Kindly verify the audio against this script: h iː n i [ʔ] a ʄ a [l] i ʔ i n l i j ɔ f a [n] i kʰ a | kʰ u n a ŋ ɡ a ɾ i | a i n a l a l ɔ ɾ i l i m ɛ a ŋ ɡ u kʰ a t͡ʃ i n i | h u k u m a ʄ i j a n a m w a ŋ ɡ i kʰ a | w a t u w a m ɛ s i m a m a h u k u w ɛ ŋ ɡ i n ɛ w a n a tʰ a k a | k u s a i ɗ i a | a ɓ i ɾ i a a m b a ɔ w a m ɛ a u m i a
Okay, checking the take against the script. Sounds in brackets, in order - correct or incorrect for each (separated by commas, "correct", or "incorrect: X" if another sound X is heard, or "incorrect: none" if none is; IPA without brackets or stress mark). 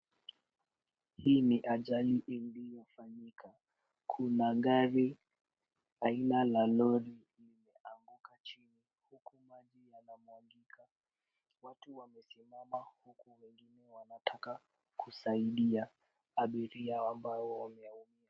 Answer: correct, correct, incorrect: ɲ